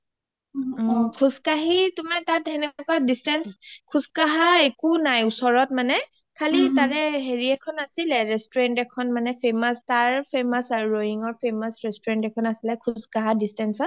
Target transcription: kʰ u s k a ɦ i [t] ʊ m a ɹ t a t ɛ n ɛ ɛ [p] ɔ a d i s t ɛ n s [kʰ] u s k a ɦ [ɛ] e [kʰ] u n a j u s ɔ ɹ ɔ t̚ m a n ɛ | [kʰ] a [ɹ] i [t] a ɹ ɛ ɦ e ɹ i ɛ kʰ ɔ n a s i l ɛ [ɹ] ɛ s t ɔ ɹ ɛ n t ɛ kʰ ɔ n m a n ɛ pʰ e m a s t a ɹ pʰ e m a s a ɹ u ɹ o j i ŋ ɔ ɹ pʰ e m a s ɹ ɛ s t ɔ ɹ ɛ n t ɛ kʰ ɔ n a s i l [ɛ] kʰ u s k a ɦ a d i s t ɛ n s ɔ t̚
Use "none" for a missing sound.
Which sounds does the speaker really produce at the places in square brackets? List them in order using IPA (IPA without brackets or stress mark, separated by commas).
t, k, kʰ, a, k, kʰ, l, t, ɹ, ɛ